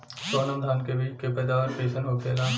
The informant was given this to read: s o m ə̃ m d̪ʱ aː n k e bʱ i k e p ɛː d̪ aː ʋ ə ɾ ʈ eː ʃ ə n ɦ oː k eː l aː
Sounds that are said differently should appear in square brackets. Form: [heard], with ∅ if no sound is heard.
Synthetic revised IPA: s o [n] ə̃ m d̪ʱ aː n k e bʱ i k e p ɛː d̪ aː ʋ ə ɾ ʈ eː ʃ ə n ɦ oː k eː l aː